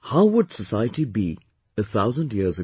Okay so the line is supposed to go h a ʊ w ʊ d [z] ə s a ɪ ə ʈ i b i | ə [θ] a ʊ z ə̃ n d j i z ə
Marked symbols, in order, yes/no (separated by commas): no, yes